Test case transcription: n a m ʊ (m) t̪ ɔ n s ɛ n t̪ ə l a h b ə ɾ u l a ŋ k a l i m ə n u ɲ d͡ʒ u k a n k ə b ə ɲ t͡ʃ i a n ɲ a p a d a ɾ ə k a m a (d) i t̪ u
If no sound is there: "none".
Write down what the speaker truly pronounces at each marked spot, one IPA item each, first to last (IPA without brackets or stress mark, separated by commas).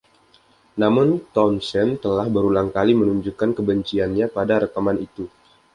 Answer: n, n